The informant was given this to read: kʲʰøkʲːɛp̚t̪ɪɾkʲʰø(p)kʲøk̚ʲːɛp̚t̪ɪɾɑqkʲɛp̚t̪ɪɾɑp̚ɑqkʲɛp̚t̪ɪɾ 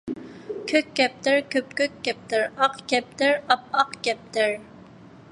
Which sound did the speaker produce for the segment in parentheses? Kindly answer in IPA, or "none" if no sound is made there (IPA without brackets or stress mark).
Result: p